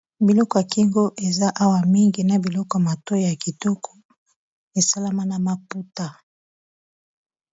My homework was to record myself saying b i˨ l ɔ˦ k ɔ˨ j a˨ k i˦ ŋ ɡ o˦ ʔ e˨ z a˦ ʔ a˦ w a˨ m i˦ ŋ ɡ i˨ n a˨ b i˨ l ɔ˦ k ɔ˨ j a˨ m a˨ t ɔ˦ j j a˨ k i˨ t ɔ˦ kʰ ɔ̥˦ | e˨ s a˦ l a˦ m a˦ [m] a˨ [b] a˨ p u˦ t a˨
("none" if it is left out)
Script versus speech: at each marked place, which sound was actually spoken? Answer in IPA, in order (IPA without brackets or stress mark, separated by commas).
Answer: n, m